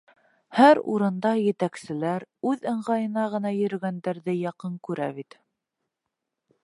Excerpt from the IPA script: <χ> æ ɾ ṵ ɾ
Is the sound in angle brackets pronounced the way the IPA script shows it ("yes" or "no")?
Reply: no